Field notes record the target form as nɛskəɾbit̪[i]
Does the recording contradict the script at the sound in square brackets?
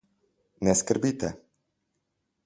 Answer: yes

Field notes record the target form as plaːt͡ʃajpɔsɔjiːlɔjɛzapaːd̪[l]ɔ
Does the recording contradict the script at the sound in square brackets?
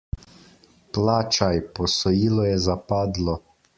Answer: no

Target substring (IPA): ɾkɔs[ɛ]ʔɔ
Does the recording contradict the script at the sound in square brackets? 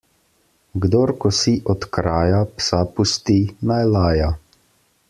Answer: yes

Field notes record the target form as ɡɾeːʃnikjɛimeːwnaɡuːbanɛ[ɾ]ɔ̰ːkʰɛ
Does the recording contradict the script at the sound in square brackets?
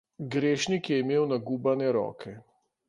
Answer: no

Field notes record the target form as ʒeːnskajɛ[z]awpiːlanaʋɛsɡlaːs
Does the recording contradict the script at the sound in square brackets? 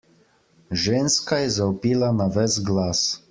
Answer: no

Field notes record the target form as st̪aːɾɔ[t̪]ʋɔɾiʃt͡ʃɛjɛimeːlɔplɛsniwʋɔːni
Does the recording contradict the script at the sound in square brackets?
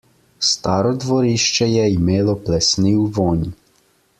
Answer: yes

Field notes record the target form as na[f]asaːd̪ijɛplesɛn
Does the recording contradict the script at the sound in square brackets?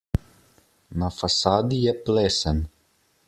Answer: no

